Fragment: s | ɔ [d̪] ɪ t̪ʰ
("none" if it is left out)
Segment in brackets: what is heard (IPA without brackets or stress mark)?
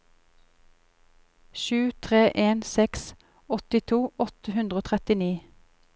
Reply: t̪